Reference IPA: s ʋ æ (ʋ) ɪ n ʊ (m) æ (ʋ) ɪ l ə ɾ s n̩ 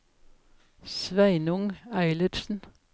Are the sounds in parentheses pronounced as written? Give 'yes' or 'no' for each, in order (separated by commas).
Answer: no, no, no